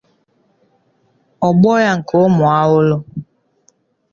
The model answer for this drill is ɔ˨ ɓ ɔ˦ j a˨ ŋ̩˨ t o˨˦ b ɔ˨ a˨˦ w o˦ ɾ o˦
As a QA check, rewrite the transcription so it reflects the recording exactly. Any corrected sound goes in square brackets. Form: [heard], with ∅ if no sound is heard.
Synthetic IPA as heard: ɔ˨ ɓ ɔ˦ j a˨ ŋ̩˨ [k] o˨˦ [m] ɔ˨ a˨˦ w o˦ [l] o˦